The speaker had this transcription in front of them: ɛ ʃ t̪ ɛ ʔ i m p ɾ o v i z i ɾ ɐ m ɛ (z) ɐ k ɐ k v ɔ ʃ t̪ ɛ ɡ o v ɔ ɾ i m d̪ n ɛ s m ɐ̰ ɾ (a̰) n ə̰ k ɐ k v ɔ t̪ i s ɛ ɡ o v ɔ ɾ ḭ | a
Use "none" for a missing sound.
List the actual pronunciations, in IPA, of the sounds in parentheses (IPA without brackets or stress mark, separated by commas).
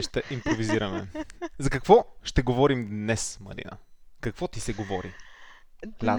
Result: z, ḭ